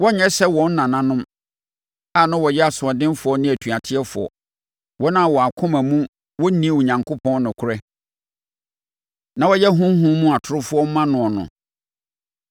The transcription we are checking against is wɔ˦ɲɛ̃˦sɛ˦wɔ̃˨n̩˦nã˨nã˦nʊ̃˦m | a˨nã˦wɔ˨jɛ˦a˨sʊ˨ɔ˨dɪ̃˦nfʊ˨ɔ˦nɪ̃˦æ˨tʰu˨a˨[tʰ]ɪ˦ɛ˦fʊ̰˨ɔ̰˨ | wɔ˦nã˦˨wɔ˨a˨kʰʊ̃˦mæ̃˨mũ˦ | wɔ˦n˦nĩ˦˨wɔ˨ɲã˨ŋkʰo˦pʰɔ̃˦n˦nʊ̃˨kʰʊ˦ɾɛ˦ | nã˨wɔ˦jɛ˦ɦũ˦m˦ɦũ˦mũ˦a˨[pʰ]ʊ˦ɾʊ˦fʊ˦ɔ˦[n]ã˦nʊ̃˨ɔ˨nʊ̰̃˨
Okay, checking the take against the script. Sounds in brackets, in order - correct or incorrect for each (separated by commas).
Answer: correct, incorrect, incorrect